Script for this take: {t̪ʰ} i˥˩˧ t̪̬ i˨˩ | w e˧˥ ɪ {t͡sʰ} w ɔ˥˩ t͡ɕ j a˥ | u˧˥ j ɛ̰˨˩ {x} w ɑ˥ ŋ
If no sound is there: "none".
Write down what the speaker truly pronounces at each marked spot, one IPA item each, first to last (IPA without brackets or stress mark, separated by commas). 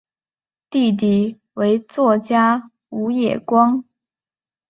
t̪, t͡s, k